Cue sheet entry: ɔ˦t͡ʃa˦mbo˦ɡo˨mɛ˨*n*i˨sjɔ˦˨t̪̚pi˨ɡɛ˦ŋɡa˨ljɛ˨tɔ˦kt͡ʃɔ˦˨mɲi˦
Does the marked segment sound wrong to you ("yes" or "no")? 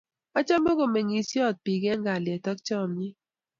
yes